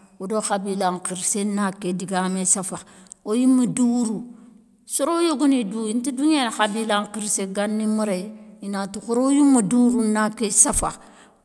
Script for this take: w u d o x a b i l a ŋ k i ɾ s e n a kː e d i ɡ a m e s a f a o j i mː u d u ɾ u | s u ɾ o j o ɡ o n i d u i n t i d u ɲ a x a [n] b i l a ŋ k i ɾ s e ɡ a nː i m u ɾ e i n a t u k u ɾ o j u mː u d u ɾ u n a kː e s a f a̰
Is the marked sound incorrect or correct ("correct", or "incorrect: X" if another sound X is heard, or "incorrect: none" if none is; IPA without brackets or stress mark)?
incorrect: none